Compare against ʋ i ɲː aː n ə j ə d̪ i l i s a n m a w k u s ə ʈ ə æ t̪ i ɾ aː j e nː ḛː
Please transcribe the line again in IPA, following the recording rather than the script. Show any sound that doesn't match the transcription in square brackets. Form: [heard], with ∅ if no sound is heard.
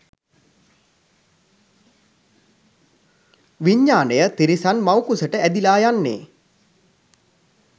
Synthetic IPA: ʋ i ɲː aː n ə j ə [t̪] i [ɾ] i s a n m a w k u s ə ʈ ə æ [d̪] i [l] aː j [a] nː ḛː